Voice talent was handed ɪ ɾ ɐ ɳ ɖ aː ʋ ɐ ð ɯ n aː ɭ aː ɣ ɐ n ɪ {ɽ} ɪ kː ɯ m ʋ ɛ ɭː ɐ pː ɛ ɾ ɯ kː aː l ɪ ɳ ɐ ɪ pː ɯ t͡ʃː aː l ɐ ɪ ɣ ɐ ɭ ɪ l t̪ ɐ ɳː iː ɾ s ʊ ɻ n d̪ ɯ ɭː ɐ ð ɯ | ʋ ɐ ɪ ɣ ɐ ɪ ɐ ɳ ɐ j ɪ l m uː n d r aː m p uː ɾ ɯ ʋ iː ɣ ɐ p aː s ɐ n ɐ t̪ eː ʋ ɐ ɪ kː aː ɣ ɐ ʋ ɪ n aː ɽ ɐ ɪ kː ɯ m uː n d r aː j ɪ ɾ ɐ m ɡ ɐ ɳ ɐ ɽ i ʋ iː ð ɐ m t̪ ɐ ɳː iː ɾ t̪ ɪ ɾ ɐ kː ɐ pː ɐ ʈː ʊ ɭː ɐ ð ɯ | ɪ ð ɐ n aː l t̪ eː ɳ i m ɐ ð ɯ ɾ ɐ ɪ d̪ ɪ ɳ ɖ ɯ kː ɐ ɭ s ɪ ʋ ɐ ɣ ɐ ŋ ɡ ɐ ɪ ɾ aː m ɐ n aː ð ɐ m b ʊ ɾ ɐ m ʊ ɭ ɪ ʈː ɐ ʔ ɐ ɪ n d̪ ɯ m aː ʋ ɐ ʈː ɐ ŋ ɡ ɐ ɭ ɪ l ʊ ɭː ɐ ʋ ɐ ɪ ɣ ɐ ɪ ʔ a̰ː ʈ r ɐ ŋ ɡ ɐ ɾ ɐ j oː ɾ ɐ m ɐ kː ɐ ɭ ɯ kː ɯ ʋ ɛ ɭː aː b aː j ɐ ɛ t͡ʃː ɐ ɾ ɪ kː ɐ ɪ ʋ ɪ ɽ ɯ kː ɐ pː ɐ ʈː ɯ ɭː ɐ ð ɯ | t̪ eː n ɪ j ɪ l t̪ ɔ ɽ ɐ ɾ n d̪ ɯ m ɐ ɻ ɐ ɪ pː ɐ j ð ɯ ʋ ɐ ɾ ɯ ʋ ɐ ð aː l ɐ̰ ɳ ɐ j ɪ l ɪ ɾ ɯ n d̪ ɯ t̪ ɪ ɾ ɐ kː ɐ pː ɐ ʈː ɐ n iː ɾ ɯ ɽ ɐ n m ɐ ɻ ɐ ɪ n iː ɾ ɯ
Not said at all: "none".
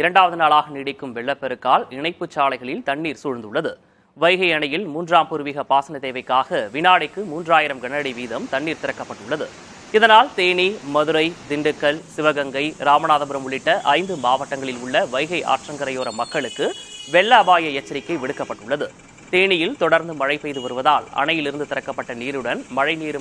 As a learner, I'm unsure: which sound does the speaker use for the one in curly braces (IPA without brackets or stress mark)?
ɽ